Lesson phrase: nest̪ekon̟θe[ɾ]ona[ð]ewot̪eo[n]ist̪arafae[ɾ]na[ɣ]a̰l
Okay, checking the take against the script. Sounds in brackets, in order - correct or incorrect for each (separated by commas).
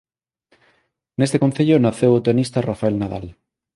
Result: incorrect, incorrect, correct, incorrect, incorrect